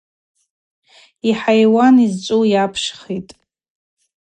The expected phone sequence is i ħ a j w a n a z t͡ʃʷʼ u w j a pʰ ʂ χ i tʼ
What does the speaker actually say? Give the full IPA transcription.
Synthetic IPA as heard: i ħ a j w a n i z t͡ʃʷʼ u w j a pʰ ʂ χ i tʼ